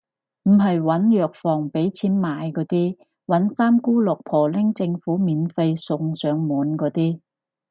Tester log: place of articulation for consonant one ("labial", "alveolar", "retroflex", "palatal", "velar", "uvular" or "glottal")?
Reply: labial